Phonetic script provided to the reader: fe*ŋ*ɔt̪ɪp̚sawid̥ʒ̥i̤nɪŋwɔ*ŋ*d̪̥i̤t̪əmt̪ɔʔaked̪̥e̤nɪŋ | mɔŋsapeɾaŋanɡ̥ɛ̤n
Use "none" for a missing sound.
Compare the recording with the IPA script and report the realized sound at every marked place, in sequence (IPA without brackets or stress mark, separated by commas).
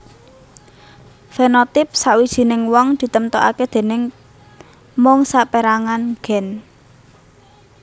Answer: n, ŋ